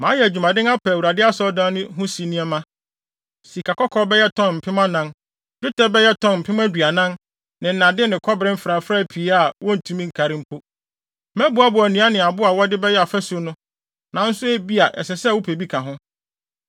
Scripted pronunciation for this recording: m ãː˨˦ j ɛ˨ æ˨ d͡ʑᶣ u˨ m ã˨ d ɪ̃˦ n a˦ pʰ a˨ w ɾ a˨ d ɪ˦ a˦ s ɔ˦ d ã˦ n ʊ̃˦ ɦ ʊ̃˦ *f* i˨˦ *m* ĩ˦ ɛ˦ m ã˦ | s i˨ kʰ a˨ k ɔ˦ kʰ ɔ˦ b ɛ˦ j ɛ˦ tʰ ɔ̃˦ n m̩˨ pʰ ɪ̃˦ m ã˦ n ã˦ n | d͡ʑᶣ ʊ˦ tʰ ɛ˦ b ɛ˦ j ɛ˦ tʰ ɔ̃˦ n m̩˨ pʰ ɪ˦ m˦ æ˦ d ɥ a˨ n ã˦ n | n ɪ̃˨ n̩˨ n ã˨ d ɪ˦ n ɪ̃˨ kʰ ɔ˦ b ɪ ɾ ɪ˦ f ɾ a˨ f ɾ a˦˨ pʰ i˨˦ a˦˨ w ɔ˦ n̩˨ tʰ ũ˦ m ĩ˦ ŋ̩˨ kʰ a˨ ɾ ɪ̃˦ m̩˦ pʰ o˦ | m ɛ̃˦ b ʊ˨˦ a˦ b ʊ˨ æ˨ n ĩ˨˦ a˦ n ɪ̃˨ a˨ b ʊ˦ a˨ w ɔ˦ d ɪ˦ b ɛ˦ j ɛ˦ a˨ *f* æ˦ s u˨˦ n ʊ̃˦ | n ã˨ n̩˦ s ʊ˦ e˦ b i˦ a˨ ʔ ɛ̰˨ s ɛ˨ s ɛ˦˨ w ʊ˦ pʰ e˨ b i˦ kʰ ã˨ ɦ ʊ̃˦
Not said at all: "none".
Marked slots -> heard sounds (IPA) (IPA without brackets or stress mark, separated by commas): s, n, f